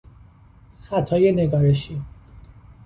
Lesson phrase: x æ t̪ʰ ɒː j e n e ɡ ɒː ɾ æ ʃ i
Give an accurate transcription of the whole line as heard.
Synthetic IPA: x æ t̪ʰ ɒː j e n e ɡ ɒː ɾ e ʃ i